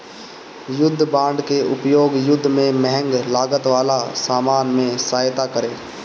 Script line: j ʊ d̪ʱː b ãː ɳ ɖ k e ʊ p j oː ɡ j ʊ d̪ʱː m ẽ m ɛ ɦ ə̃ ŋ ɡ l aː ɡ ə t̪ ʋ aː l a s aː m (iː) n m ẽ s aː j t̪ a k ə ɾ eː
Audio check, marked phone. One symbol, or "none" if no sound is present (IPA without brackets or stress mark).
aː